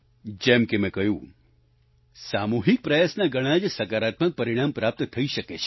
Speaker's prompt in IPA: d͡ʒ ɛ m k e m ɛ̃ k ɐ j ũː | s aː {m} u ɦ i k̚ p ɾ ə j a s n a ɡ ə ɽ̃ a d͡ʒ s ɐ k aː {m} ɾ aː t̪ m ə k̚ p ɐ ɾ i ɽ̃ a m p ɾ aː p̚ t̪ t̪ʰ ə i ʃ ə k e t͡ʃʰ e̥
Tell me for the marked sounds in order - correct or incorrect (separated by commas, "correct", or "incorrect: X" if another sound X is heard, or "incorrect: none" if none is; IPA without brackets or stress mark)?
correct, incorrect: none